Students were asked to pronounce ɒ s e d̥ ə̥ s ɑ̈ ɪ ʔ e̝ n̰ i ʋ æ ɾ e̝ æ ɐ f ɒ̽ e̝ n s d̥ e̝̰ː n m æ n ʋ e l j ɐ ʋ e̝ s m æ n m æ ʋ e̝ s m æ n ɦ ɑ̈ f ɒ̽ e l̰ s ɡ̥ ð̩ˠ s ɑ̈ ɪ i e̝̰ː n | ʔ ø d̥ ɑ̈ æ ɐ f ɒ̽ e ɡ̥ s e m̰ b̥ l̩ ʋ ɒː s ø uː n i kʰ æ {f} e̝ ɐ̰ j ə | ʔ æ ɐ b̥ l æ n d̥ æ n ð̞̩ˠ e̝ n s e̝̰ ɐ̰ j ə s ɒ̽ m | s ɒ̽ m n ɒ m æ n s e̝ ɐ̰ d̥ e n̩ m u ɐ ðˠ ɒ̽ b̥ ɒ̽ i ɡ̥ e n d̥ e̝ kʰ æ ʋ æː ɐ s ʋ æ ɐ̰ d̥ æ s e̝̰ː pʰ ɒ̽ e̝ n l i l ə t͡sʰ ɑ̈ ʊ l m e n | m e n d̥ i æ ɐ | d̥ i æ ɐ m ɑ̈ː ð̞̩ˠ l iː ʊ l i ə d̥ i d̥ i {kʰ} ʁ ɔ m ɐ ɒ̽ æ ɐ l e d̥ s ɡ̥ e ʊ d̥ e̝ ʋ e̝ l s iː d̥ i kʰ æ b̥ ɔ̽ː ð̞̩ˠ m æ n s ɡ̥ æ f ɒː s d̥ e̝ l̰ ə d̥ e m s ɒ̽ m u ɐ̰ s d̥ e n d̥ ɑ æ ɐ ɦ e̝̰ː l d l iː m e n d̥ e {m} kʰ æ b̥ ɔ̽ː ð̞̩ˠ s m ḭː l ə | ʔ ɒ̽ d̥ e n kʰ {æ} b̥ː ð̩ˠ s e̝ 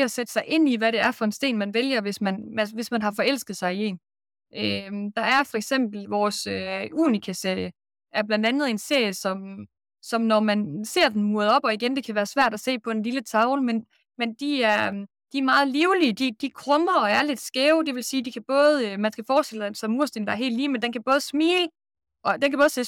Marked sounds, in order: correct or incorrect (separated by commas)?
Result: incorrect, correct, incorrect, correct